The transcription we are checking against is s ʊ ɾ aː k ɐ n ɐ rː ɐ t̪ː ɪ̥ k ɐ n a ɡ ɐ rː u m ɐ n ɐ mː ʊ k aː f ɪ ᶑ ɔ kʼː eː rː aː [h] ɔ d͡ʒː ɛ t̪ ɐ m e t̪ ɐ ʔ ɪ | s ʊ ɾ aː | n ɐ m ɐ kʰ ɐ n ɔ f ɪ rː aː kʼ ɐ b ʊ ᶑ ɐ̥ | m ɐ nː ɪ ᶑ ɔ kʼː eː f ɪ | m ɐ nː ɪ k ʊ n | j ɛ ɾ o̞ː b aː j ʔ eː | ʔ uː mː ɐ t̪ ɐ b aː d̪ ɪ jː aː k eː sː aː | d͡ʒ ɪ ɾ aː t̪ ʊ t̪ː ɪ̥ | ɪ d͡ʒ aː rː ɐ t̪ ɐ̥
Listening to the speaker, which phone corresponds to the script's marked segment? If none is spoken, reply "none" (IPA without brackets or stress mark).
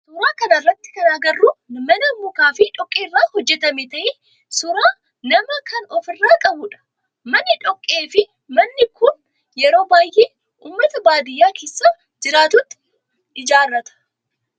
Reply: h